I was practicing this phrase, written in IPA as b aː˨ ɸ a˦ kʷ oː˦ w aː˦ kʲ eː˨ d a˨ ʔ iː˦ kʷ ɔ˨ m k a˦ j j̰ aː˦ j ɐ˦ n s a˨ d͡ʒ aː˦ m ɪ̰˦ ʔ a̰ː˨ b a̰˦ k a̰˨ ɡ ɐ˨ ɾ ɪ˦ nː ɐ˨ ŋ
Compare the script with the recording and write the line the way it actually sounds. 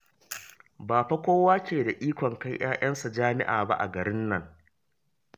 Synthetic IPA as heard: b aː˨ ɸ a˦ kʷ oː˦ w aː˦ kʲ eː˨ d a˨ ʔ iː˦ kʷ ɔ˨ ŋ k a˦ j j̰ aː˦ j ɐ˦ n s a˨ d͡ʒ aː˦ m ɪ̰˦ ʔ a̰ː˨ b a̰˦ ʔ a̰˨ ɡ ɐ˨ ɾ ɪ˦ nː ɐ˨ ŋ